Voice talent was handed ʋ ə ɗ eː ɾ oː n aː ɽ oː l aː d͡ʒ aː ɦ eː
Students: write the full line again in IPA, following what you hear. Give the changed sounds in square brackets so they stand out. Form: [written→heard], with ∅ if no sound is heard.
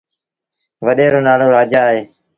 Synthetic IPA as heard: ʋ ə ɗ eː ɾ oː n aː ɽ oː [l→ɾ] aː d͡ʒ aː ɦ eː